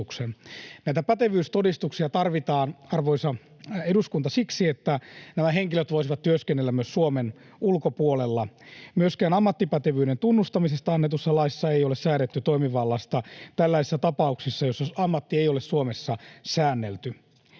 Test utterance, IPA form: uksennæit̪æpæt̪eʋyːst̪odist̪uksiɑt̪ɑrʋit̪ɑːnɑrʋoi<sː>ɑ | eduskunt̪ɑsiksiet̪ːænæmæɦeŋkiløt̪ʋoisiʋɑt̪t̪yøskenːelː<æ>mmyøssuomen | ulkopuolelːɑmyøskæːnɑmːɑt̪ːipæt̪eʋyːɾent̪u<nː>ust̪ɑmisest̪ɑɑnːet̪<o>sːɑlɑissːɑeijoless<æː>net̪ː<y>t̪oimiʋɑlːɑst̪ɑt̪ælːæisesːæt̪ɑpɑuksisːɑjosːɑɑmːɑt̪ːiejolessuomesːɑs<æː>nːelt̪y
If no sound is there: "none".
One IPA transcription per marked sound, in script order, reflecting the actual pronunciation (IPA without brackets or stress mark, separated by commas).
s, æ, nː, u, æː, y, æː